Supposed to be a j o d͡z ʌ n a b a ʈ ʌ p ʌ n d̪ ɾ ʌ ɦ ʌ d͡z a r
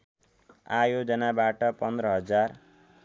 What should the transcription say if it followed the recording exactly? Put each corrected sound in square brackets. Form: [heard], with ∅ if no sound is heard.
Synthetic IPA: a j o d͡z ʌ n a b a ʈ ʌ p ʌ n d̪ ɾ ʌ ɦ ʌ d͡z a r

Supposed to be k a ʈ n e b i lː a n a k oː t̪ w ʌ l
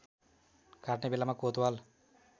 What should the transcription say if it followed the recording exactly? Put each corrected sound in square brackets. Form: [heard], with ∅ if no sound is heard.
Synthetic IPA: k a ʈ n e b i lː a [m] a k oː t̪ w [a] l

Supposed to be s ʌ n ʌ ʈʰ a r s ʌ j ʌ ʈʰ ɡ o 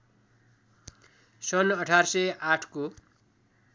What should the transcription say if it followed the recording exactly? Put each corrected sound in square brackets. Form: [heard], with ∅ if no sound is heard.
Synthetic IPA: s ʌ n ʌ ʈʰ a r s ʌ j [a] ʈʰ [k] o

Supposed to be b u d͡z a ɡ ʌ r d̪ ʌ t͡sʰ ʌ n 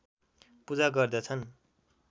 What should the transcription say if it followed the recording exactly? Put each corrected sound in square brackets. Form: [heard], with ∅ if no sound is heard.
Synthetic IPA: [p] u d͡z a ɡ ʌ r d̪ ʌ t͡sʰ ʌ n

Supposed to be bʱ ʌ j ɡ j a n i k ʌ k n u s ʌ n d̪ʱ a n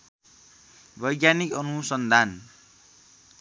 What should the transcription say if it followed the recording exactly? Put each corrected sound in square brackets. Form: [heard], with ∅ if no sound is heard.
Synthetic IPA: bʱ ʌ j ɡ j a n i k ʌ [∅] n u s ʌ n d̪ʱ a n

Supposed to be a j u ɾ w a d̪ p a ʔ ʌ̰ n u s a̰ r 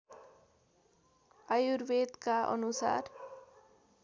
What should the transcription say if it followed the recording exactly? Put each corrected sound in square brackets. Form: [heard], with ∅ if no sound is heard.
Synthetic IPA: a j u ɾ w [e] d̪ [k] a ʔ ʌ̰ n u s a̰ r

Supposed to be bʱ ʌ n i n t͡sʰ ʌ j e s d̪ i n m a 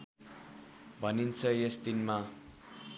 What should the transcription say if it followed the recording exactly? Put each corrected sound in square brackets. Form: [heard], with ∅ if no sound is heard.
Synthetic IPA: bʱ ʌ n i n t͡sʰ ʌ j e s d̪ i n m a

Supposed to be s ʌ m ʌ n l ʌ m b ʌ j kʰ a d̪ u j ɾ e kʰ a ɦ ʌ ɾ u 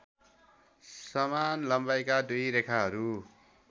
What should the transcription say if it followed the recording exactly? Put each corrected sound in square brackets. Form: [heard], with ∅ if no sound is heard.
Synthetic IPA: s ʌ m [a] n l ʌ m b [a] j [k] a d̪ u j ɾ e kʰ a ɦ ʌ ɾ u

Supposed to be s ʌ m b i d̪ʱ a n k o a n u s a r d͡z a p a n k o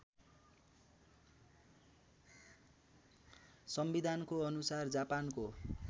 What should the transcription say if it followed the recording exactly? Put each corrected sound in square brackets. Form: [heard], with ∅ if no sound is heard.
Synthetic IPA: s ʌ m b i d̪ʱ a n k o [ʌ] n u s a r d͡z a p a n k o

